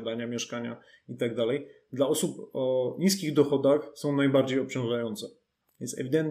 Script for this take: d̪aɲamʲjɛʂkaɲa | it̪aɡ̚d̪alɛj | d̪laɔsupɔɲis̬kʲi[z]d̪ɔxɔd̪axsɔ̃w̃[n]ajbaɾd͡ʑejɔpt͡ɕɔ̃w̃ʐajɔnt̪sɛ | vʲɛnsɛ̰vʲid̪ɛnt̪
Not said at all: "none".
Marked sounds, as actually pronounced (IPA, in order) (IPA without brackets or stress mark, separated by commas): ɣ, n